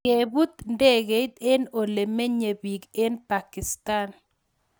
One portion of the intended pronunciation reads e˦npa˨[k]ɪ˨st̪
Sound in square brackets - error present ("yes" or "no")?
no